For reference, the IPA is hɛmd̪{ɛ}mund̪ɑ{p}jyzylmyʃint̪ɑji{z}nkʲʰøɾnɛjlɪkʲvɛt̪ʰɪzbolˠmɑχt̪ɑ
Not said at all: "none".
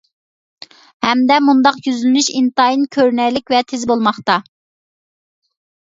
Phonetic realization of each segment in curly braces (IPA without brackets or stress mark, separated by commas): ɛ, q, none